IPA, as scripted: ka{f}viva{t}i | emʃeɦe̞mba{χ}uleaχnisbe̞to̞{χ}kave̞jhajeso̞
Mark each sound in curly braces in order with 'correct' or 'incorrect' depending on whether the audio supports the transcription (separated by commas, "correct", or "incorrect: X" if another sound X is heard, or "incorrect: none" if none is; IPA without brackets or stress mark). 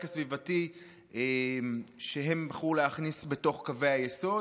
incorrect: s, correct, correct, correct